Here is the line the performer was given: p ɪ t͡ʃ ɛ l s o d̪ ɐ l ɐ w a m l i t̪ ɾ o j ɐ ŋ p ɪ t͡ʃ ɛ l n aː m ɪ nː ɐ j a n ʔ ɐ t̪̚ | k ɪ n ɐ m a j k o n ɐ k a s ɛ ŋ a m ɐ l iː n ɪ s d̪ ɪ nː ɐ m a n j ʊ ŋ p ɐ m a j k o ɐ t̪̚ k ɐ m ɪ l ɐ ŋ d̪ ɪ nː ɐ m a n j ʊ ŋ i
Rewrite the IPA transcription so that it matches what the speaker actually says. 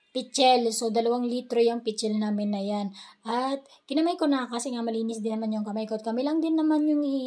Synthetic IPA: p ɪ t͡ʃ ɛ l s o d̪ ɐ l ɐ w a ŋ l i t̪ ɾ o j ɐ ŋ p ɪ t͡ʃ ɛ l n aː m ɪ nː ɐ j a n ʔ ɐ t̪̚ | k ɪ n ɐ m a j k o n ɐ k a s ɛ ŋ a m ɐ l iː n ɪ s d̪ ɪ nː ɐ m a n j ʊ ŋ k ɐ m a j k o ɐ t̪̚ k ɐ m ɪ l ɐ ŋ d̪ ɪ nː ɐ m a n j ʊ ŋ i